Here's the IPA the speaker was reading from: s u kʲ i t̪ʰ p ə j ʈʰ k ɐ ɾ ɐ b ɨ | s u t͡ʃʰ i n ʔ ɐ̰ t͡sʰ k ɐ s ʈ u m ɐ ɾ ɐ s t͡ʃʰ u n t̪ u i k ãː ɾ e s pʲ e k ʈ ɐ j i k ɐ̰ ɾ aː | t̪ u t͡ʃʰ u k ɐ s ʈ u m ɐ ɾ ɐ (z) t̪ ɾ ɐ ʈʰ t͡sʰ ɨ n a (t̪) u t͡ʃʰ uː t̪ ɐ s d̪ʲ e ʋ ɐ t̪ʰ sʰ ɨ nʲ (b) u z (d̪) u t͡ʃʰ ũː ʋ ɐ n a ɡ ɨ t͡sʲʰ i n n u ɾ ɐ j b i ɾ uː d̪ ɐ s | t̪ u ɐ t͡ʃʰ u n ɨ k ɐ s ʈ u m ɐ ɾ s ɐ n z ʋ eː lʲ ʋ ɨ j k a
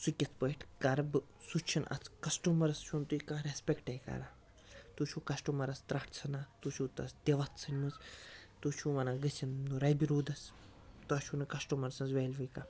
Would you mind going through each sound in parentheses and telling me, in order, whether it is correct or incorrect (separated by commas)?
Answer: incorrect, correct, incorrect, incorrect